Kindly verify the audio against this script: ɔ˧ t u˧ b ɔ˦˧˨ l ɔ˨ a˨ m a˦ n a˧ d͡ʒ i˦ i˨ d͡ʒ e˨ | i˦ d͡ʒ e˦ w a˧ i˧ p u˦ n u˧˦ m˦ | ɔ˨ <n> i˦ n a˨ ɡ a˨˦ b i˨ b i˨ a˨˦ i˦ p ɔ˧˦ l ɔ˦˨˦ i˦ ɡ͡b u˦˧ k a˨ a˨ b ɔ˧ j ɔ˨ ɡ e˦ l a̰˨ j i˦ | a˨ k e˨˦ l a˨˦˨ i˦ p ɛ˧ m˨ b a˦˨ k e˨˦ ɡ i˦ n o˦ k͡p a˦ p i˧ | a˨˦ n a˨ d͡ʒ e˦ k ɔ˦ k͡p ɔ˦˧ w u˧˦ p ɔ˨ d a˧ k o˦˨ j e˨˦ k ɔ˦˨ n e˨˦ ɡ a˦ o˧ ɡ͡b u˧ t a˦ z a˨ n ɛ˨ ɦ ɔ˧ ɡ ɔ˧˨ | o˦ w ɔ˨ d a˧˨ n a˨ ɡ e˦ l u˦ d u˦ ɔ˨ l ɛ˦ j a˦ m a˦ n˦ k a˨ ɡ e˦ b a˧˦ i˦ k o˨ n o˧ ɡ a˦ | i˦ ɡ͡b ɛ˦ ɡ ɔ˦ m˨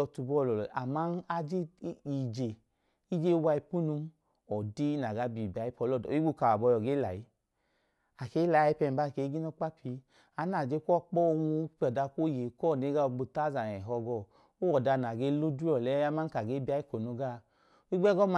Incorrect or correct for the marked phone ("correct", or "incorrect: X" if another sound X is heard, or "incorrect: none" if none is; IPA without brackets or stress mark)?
incorrect: d